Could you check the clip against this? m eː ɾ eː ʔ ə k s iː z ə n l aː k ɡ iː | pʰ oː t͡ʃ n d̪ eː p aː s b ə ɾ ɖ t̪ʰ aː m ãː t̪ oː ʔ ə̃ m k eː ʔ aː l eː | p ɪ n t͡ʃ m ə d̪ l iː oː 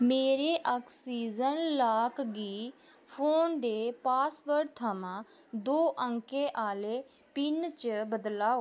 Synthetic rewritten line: m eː ɾ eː ʔ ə k s iː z ə n l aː k ɡ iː | pʰ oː n d̪ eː p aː s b ə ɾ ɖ t̪ʰ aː m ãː d̪ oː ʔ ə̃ ŋ k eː ʔ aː l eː | p ɪ n t͡ʃ b ə d̪ l aː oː

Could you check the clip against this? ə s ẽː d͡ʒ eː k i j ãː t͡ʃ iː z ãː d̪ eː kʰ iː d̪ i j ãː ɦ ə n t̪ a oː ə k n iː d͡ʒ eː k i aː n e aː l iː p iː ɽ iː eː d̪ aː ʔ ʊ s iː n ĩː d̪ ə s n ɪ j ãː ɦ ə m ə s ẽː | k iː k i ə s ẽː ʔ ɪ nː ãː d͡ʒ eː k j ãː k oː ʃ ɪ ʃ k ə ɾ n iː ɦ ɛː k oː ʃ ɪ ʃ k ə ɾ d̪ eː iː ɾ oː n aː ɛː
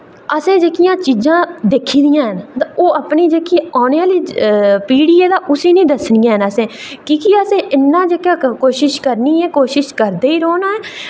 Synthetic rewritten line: ə s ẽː d͡ʒ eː k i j ãː t͡ʃ iː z ãː d̪ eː kʰ iː d̪ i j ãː ɦ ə n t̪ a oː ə p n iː d͡ʒ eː k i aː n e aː l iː p iː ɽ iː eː d̪ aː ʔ ʊ s iː n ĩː d̪ ə s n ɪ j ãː ɦ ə n ə s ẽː | k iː k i ə s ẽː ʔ ɪ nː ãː d͡ʒ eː k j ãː k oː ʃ ɪ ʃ k ə ɾ n iː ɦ ɛː k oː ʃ ɪ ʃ k ə ɾ d̪ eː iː ɾ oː n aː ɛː

